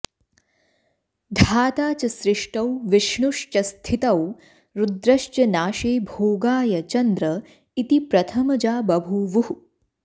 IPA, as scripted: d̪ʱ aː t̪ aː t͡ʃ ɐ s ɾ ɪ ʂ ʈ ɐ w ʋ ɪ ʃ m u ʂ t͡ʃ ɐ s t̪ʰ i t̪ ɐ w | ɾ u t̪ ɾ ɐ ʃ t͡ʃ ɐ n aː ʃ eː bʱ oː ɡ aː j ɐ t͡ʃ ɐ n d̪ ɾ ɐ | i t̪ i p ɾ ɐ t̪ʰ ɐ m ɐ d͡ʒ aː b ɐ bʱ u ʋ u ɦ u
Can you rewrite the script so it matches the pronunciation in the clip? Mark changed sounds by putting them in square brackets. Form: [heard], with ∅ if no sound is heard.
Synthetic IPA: d̪ʱ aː t̪ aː t͡ʃ ɐ s ɾ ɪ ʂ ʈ ɐ w ʋ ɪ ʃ [ɳ] u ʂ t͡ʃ ɐ s t̪ʰ i t̪ ɐ w | ɾ u [d̪] ɾ ɐ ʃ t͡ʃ ɐ n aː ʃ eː bʱ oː ɡ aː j ɐ t͡ʃ ɐ n d̪ ɾ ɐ | i t̪ i p ɾ ɐ t̪ʰ ɐ m ɐ d͡ʒ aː b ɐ bʱ u ʋ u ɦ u